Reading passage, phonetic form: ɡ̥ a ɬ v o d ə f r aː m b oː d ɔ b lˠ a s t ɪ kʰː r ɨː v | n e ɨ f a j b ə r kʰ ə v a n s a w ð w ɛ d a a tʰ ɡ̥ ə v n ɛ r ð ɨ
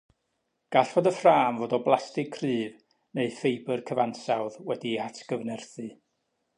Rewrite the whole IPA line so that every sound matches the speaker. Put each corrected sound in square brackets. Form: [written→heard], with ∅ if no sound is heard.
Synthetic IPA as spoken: ɡ̥ a ɬ v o d ə f r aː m [b→v] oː d ɔ b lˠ a s t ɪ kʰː r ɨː v | n e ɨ f [a→e] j b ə r kʰ ə v a n s a w ð w ɛ d [a→i] a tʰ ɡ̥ ə v n ɛ r [ð→θ] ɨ